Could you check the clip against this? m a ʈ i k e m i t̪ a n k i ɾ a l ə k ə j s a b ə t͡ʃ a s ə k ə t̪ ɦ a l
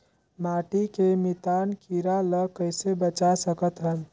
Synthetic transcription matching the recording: m a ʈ i k e m i t̪ a n k i ɾ a l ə k ə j s e b ə t͡ʃ a s ə k ə t̪ ɦ ə l